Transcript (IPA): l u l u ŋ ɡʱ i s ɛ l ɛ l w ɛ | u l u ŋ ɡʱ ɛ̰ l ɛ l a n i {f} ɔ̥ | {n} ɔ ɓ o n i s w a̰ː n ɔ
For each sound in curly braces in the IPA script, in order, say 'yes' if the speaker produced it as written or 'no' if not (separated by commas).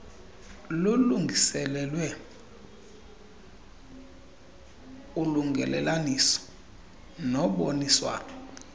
no, yes